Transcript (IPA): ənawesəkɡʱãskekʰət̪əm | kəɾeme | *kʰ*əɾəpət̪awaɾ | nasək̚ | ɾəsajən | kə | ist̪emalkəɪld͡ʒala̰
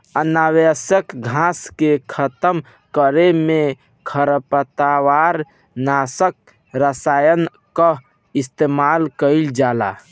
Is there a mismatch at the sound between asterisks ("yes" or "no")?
no